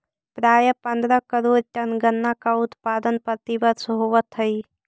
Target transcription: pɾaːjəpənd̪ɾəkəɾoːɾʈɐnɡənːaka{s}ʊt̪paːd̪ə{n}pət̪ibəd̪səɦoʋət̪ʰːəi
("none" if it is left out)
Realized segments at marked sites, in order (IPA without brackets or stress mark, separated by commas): none, n